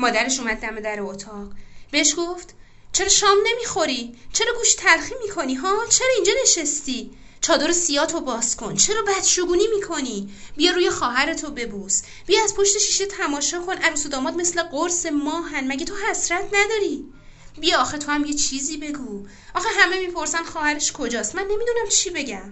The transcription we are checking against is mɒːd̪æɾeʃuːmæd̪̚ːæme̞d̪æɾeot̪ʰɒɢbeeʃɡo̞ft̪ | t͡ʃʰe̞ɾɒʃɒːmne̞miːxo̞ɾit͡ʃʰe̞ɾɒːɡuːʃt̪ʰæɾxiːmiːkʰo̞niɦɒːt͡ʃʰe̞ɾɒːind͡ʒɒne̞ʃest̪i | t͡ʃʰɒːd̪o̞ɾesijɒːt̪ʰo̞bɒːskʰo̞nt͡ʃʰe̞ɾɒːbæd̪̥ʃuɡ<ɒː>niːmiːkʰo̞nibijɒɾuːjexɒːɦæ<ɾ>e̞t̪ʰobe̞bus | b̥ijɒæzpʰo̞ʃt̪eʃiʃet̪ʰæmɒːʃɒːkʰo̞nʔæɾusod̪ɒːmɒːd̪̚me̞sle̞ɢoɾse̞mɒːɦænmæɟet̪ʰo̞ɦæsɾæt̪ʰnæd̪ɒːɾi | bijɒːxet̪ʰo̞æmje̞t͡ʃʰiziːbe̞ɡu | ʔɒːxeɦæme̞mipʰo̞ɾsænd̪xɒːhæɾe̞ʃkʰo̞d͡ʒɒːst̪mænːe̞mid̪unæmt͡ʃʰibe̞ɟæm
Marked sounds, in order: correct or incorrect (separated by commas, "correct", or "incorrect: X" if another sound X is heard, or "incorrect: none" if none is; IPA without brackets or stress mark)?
incorrect: uː, correct